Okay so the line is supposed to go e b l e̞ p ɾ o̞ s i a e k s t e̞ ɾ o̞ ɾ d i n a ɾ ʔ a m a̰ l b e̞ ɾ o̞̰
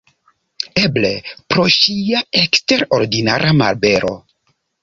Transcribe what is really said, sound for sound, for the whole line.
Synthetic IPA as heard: e b l e̞ p ɾ o̞ ʃ i a e k s t e̞ ɾ o̞ ɾ d i n a ɾ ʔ a m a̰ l b e̞ ɾ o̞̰